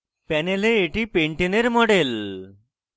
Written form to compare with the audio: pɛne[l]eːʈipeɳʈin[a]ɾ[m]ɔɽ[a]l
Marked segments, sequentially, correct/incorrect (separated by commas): correct, incorrect, correct, incorrect